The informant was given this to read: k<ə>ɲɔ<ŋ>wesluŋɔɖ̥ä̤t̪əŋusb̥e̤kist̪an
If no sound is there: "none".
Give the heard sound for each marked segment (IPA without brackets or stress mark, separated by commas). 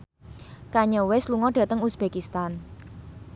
a, none